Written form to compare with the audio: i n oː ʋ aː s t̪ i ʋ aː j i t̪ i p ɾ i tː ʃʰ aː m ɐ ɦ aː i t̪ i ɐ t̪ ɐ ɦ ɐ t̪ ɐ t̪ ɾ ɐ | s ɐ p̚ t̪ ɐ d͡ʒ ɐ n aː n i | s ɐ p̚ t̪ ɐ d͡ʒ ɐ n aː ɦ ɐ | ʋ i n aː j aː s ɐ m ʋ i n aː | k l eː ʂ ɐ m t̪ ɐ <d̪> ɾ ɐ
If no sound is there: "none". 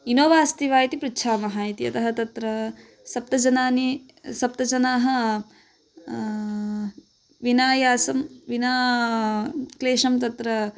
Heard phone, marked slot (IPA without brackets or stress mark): t̪